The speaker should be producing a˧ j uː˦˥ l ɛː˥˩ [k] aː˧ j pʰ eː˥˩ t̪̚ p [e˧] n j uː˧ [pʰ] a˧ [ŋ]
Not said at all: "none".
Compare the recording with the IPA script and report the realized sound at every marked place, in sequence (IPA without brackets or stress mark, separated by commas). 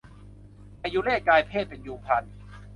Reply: k, e˧, pʰ, n